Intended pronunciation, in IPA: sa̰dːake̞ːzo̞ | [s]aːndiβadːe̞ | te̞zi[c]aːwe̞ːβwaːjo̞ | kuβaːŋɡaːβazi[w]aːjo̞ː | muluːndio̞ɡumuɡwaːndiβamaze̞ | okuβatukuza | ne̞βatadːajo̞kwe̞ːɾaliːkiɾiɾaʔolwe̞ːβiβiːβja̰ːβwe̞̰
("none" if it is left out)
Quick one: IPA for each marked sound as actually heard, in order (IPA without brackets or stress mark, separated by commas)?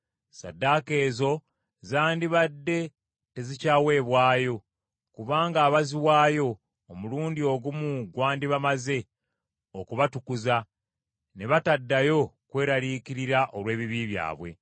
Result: z, c, w